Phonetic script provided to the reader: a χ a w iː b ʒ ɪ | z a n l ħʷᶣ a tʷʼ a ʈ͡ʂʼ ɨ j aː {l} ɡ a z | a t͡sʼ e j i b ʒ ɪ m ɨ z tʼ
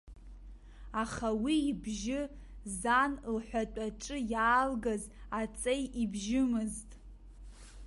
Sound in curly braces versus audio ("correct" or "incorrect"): correct